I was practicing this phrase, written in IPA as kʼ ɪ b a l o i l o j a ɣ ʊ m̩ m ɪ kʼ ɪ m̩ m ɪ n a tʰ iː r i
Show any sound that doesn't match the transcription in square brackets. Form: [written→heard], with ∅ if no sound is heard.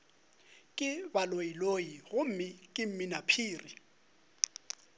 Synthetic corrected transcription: kʼ ɪ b a l o i l o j [a→i] ɣ ʊ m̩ m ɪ kʼ ɪ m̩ m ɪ n a [tʰ→pʰ] iː r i